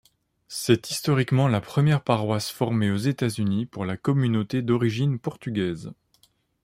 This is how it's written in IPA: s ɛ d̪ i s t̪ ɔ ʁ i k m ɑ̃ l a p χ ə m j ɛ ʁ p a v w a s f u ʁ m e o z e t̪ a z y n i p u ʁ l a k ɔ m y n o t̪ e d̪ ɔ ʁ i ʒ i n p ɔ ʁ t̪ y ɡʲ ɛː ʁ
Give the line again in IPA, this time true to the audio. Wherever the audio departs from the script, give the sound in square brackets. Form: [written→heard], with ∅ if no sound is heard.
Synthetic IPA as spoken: s ɛ [d̪→t̪] i s t̪ ɔ ʁ i k m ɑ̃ l a p χ ə m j ɛ ʁ p a [v→ʁ] w a s f [u→ɔ] ʁ m e o z e t̪ a z y n i p u ʁ l a k ɔ m y n o t̪ e d̪ ɔ ʁ i ʒ i n p ɔ ʁ t̪ y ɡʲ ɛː [ʁ→z]